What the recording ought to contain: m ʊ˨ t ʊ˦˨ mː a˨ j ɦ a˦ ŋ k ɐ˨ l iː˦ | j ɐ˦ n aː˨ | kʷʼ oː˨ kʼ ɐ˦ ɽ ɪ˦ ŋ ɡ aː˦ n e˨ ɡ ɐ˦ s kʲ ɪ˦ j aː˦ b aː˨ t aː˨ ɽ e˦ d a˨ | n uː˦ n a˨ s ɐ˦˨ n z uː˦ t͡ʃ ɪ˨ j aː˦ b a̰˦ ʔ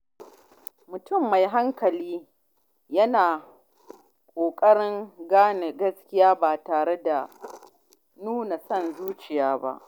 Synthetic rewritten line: m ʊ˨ t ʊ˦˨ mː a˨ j ɦ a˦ ŋ k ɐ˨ l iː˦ | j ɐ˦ n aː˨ | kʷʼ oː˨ kʼ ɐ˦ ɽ ɪ˦ ŋ ɡ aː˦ n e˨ ɡ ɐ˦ s kʲ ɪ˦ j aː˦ b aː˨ t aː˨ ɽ e˦ d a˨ | n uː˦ n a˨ s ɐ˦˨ n z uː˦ t͡ʃ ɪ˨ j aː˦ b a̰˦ ʔ

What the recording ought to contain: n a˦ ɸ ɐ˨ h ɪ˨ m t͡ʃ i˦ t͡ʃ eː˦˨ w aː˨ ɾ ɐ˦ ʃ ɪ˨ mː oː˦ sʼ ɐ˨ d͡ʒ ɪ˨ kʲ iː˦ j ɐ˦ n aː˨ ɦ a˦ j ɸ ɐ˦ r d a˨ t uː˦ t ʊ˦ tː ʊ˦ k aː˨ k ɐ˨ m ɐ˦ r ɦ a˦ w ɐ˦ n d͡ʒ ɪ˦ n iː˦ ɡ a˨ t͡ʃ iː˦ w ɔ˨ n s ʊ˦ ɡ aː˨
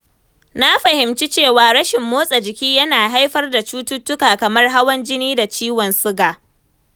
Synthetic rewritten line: n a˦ ɸ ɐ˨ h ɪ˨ m t͡ʃ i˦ t͡ʃ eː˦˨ w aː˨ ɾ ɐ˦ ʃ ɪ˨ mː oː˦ sʼ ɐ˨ d͡ʒ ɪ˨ kʲ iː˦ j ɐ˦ n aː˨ ɦ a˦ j ɸ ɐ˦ r d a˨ t͡ʃ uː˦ t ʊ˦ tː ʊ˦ k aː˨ k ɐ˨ m ɐ˦ r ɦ a˦ w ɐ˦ n d͡ʒ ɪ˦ n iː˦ d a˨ t͡ʃ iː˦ w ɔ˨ n s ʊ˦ ɡ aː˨

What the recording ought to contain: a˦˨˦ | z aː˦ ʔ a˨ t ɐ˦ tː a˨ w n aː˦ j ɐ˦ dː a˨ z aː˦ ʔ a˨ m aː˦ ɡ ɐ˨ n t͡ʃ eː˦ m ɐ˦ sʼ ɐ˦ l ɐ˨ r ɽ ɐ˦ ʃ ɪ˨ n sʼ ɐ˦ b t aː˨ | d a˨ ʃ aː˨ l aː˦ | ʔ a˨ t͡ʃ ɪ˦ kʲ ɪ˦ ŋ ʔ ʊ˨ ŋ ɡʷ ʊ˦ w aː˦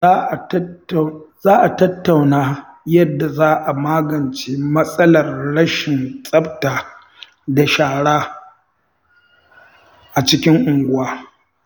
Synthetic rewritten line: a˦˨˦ | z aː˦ ʔ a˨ t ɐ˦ tː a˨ w n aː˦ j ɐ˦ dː a˨ z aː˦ ʔ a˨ m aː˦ ɡ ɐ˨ n t͡ʃ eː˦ m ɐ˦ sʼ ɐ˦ l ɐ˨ r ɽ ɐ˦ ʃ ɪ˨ n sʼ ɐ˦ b t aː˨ | d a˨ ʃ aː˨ ɽ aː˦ | ʔ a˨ t͡ʃ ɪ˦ kʲ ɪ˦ ŋ ʔ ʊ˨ ŋ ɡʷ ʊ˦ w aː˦

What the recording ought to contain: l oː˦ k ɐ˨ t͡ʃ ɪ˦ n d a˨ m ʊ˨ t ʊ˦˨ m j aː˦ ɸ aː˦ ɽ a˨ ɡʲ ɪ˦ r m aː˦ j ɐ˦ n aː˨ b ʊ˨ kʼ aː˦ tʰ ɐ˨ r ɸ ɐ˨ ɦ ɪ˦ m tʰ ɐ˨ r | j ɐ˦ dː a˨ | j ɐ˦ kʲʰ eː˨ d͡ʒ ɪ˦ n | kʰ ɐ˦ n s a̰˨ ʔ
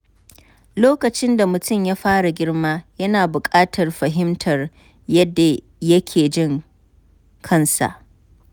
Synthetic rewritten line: l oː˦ k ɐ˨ t͡ʃ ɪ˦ n d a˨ m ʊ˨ t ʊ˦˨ m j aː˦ ɸ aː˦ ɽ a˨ ɡʲ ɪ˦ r m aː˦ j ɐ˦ n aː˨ b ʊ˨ kʼ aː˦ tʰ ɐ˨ r ɸ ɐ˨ ɦ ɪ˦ m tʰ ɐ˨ r | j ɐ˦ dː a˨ | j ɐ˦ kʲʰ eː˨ d͡ʒ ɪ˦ ŋ | kʰ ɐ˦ n s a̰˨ ʔ

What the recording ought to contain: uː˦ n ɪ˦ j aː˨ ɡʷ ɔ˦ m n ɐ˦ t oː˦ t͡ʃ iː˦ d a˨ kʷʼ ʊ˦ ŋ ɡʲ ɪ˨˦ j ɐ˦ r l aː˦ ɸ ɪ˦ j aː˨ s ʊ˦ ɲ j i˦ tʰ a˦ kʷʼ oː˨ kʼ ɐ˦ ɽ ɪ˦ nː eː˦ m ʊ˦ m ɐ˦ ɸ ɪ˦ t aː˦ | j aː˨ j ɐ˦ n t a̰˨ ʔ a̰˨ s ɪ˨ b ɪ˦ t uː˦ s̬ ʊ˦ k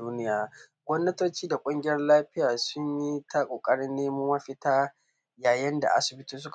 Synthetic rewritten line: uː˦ n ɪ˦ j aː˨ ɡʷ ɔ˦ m n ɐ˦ t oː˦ t͡ʃ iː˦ d a˨ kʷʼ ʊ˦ ŋ ɡʲ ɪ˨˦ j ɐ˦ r l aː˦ ɸ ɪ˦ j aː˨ s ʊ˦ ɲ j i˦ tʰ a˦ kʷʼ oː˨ kʼ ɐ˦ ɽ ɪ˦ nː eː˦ m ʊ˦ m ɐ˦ ɸ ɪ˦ t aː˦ | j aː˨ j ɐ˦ n d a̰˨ ʔ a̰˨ s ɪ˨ b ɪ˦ t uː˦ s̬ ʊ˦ k

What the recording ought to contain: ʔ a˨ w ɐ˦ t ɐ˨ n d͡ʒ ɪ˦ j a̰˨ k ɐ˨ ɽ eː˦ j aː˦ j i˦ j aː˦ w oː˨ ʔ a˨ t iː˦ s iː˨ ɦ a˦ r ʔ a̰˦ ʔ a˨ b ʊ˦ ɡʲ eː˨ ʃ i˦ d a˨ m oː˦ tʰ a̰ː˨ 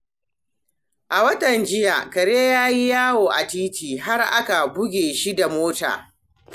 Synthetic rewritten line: ʔ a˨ w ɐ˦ t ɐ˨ n d͡ʒ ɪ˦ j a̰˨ k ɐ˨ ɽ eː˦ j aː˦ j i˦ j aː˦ w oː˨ ʔ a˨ t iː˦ t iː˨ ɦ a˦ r ʔ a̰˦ k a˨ b ʊ˦ ɡʲ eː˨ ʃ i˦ d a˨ m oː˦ t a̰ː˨

